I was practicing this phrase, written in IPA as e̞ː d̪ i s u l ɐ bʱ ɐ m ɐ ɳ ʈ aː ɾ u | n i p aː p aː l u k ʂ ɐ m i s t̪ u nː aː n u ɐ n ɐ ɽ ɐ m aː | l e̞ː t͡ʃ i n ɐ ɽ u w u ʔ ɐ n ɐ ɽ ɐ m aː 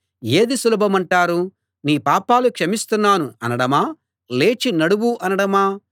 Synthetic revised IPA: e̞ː d̪ i s u l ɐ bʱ ɐ m ɐ ɳ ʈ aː ɾ u | n iː p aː p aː l u k ʂ ɐ m i s t̪ u nː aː n u ɐ n ɐ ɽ ɐ m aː | l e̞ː t͡ʃ i n ɐ ɽ u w u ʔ ɐ n ɐ ɽ ɐ m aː

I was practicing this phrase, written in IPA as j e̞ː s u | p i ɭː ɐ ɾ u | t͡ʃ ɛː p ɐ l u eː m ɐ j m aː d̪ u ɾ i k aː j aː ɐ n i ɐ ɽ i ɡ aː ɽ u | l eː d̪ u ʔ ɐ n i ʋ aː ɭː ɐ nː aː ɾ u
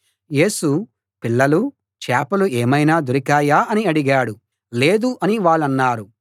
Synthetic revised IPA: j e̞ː s u | p i ɭː ɐ l u | t͡ʃ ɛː p ɐ l u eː m ɐ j n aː d̪ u ɾ i k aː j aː ɐ n i ɐ ɽ i ɡ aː ɽ u | l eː d̪ u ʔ ɐ n i ʋ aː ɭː ɐ nː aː ɾ u

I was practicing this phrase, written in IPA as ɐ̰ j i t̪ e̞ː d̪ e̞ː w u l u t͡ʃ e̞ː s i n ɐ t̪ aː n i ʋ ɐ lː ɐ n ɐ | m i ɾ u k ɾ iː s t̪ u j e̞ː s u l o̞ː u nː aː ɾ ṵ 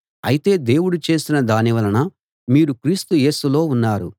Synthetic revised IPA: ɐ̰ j i t̪ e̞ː d̪ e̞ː w u ɽ u t͡ʃ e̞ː s i n ɐ d̪ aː n i ʋ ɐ l ɐ n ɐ | m iː ɾ u k ɾ iː s t̪ u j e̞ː s u l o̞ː u nː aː ɾ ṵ

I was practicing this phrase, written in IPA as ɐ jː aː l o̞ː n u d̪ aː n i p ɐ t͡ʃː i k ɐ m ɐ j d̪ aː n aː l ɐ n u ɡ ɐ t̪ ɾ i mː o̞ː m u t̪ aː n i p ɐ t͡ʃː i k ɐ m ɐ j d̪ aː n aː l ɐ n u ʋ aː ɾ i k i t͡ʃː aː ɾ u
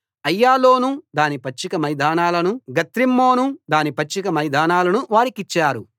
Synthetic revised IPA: ɐ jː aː l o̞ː n u d̪ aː n i p ɐ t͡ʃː i k ɐ m ɐ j d̪ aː n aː l ɐ n u ɡ ɐ t̪ ɾ i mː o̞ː n u d̪ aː n i p ɐ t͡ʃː i k ɐ m ɐ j d̪ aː n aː l ɐ n u ʋ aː ɾ i k i t͡ʃː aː ɾ u

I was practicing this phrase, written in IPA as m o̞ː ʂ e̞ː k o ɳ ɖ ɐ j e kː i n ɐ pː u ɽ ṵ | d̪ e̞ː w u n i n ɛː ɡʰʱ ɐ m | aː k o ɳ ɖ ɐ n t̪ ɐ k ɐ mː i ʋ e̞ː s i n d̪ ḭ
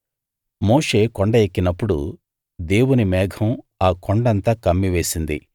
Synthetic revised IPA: m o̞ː ʂ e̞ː k o ɳ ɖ ɐ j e kː i n ɐ pː u ɽ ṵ | d̪ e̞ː w u n i m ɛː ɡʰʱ ɐ m | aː k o ɳ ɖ ɐ n t̪ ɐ k ɐ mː i ʋ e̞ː s i n d̪ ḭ

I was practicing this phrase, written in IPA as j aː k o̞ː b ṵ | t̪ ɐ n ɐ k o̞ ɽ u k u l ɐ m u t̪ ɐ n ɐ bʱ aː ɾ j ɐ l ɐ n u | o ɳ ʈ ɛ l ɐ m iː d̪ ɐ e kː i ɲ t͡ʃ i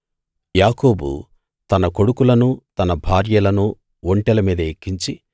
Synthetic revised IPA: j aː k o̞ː b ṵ | t̪ ɐ n ɐ k o̞ ɽ u k u l ɐ n u t̪ ɐ n ɐ bʱ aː ɾ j ɐ l ɐ n u | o ɳ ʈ ɛ l ɐ m iː d̪ ɐ e kː i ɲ t͡ʃ i

